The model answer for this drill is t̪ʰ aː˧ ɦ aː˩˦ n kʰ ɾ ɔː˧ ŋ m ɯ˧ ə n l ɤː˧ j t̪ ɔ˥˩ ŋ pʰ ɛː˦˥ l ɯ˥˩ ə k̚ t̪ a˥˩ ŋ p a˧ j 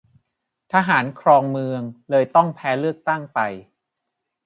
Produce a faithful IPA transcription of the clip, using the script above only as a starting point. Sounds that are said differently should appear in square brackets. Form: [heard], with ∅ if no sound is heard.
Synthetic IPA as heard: t̪ʰ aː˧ ɦ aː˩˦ n kʰ ɾ ɔː˧ ŋ m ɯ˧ ə [ŋ] l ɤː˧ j t̪ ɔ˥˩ ŋ pʰ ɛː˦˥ l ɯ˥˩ ə k̚ t̪ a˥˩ ŋ p a˧ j